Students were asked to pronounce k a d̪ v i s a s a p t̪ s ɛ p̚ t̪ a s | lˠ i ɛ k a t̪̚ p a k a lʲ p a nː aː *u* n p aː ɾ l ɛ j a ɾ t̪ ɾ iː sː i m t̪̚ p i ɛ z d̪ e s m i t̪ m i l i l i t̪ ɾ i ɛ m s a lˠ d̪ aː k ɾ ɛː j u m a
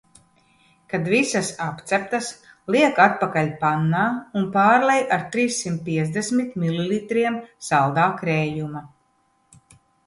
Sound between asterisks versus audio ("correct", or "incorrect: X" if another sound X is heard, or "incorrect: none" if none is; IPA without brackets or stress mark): correct